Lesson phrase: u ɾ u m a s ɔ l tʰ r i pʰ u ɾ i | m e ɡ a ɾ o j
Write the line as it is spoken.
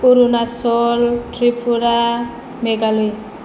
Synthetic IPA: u ɾ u n a s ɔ l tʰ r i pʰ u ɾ a | m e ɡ a l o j